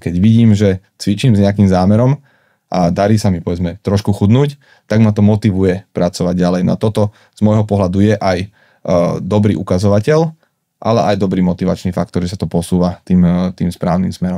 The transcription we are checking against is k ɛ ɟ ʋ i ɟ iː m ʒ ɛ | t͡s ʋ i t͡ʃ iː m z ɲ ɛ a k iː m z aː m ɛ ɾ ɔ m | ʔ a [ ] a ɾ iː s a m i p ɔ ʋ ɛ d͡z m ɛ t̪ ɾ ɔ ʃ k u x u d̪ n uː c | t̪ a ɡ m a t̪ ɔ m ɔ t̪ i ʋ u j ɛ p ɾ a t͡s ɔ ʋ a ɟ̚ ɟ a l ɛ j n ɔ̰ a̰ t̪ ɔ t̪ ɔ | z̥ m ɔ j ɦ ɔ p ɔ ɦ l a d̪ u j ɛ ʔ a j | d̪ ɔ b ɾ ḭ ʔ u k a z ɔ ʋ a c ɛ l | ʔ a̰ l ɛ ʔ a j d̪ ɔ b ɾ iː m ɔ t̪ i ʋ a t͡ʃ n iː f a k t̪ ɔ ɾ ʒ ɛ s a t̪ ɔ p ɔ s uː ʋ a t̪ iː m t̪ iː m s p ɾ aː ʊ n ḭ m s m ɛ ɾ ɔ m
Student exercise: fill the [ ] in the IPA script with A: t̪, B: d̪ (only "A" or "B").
B